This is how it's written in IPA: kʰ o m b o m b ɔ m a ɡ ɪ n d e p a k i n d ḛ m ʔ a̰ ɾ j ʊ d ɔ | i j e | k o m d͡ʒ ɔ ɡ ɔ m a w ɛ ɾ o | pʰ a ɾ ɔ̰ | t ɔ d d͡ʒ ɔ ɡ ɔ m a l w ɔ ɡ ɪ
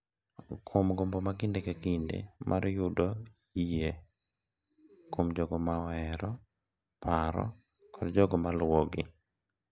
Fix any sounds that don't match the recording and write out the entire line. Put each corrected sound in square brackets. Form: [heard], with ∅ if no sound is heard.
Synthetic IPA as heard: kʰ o m [ɡ] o m b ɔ m a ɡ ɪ n d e [k] a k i n d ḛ m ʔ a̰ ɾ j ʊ d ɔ | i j e | k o m d͡ʒ ɔ ɡ ɔ m a w ɛ ɾ [ɔ] | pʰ a ɾ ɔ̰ | [k] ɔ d d͡ʒ ɔ ɡ ɔ m a l w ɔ ɡ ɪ